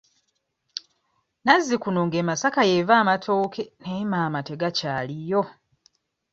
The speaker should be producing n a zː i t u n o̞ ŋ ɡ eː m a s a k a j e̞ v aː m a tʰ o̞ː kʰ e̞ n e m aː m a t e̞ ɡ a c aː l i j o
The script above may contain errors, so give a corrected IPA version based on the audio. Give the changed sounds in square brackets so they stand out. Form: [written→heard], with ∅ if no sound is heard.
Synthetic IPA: n a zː i [t→k] u n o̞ ŋ ɡ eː m a s a k a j e̞ v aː m a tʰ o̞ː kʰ e̞ n e m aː m a t e̞ ɡ a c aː l i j o